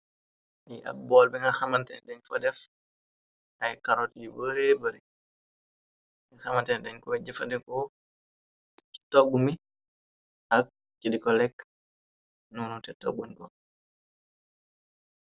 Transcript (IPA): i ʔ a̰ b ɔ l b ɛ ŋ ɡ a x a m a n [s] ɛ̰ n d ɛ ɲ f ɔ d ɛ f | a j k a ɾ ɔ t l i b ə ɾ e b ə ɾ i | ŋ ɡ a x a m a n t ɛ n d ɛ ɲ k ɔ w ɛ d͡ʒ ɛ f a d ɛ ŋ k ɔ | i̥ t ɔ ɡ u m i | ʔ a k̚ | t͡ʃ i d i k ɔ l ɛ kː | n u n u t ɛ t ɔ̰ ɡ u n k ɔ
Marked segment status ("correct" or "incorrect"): incorrect